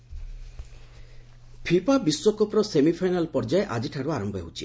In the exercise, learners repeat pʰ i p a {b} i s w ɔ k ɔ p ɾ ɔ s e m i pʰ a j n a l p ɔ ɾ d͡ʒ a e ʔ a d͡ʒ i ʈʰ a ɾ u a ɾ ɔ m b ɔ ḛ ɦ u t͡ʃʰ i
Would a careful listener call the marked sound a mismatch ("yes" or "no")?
no